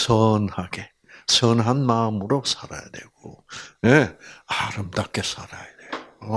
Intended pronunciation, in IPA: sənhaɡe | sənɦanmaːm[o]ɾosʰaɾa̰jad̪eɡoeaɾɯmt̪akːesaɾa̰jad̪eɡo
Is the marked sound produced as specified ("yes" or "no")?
no